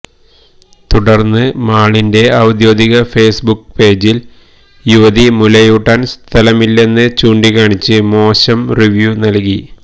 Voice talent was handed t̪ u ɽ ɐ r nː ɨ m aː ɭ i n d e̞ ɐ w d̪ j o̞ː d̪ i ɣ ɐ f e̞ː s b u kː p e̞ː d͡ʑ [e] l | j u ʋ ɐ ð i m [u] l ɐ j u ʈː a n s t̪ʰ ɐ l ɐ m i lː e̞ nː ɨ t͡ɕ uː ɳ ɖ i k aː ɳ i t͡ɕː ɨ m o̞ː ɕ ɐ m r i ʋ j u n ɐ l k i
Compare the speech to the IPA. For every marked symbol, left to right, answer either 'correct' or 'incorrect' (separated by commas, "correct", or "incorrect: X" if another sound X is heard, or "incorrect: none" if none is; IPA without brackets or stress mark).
incorrect: i, correct